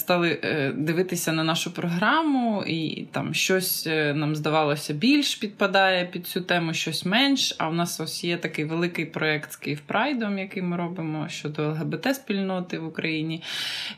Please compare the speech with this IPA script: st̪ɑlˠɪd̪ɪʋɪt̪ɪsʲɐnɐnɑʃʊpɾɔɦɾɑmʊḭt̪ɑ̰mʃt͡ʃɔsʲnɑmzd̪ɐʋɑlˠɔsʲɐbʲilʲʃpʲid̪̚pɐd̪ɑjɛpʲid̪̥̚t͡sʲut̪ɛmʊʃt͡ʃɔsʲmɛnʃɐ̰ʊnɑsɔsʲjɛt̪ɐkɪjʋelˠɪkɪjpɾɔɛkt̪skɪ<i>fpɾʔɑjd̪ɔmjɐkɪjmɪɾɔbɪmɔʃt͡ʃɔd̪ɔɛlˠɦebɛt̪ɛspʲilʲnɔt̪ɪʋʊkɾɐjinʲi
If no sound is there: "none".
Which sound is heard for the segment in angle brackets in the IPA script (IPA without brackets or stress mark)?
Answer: j